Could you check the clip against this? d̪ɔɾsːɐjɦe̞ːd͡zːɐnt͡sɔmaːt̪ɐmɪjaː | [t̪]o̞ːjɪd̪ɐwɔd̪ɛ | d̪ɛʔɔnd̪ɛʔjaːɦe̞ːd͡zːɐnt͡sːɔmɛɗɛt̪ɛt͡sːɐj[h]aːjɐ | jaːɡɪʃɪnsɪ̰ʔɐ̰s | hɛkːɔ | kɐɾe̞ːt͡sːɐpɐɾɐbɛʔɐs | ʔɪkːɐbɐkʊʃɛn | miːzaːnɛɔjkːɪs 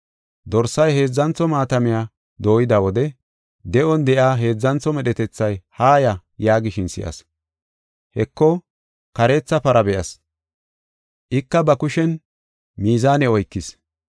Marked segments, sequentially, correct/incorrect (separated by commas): incorrect, correct